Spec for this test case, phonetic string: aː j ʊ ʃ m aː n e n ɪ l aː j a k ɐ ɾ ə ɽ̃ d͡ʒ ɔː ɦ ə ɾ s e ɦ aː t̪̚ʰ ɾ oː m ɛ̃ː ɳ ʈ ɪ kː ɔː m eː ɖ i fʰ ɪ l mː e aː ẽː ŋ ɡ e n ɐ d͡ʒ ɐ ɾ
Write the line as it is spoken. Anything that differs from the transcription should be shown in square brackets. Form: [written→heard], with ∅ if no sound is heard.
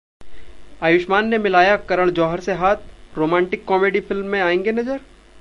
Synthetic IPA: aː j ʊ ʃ m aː [n→nː] e [n→m] ɪ l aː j a k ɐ ɾ ə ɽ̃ d͡ʒ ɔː ɦ ə ɾ s e ɦ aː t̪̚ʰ ɾ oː m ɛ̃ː ɳ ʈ ɪ kː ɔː m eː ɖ i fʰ ɪ l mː [e→ẽ] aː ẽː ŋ ɡ e n ɐ d͡ʒ [ɐ→ə] ɾ